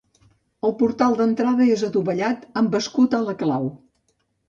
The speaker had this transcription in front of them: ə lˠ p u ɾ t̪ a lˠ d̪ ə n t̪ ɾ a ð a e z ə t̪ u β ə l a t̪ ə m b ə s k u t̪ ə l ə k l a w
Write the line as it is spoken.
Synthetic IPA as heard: ə lˠ p u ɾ t̪ a lˠ d̪ ə n t̪ ɾ a ð ə e z ə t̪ u β ə ʎ a t̪ ə m b ə s k u t̪ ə l ə k l a w